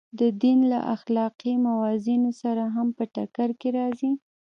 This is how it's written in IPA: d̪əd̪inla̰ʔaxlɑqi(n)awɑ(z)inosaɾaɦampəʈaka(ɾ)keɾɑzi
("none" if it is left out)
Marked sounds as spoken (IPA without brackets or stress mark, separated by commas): m, z, ɾ